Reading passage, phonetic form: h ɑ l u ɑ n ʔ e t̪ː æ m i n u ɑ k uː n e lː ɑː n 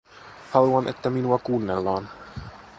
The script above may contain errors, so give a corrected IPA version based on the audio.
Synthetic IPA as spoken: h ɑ l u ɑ n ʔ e t̪ː æ m i n u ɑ k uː nː e lː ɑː n